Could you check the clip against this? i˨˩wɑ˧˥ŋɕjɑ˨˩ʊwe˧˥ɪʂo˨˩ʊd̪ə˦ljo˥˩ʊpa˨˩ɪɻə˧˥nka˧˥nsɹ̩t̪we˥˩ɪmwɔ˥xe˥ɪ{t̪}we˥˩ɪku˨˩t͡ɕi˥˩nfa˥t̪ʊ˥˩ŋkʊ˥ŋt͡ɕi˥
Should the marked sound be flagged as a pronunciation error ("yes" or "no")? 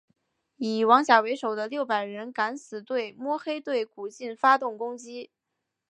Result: no